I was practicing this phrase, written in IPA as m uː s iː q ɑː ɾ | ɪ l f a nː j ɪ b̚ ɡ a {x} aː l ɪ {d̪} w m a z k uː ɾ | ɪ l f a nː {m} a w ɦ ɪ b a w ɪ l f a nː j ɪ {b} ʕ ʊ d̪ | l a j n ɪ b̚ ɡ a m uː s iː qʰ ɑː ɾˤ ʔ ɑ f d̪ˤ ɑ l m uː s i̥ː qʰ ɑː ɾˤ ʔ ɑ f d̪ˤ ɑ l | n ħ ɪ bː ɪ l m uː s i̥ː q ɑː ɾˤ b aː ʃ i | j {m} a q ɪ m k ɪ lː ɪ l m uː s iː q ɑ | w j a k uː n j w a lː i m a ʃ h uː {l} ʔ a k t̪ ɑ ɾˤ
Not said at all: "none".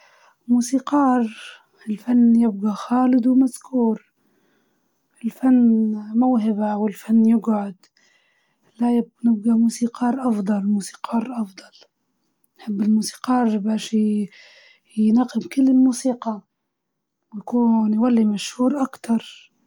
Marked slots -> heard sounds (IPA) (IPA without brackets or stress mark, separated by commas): x, d̪, m, ɡ, n, ɾ